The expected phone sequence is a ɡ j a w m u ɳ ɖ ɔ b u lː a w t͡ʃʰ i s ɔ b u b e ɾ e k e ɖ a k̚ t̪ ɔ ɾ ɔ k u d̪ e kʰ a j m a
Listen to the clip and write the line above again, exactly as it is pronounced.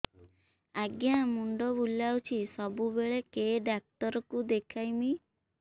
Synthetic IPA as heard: a ɡ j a m u ɳ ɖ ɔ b u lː a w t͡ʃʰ i s ɔ b u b e ɭ e k e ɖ a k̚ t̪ ɔ ɾ ɔ k u d̪ e kʰ a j m i